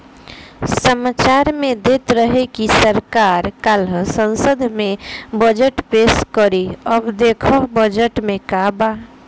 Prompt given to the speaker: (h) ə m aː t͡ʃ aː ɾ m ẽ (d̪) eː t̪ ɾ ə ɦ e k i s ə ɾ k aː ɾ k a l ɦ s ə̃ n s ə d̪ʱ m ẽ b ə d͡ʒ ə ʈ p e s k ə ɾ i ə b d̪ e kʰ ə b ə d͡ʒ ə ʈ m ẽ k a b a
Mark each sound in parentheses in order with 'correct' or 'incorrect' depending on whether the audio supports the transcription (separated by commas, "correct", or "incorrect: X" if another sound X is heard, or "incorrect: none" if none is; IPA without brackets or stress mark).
incorrect: s, correct